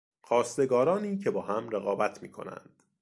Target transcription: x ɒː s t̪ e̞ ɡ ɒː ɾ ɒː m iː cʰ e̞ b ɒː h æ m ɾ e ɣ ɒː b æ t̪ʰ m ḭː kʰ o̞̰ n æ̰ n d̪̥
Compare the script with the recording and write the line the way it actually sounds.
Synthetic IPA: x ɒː s t̪ e̞ ɡ ɒː ɾ ɒː n iː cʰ e̞ b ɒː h æ m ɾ e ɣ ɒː b æ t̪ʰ m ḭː kʰ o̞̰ n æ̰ n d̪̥